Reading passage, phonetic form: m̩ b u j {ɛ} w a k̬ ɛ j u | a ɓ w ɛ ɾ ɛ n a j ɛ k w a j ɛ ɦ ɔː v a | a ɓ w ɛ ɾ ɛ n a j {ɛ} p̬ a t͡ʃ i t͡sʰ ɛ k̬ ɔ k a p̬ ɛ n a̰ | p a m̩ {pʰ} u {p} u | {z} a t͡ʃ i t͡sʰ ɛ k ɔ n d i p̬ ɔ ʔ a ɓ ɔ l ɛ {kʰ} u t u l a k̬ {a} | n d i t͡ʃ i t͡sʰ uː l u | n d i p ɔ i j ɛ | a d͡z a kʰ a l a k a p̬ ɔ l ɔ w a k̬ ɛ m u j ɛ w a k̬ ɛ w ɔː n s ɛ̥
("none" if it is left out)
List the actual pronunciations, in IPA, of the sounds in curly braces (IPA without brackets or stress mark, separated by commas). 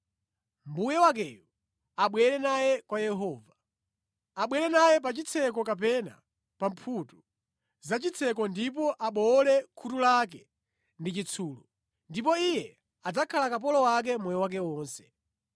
ɛ, ɛ, pʰ, t, z, kʰ, ɛ